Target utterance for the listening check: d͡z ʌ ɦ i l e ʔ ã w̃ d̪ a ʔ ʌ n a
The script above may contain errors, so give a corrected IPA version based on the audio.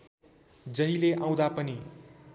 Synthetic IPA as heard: d͡z ʌ ɦ i l e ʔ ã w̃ d̪ a p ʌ n i